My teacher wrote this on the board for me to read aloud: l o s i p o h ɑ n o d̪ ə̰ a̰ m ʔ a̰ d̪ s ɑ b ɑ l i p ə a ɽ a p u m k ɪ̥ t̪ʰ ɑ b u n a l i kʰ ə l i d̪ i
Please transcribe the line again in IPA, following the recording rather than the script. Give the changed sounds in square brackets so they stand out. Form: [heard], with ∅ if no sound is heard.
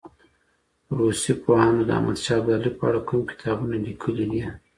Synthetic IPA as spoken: [ɾ] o s i p o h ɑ n o d̪ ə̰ a̰ m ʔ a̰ d̪ [ʃ] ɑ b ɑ l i p ə a ɽ a [k] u m k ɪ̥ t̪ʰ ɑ b u n a l i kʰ ə l i d̪ i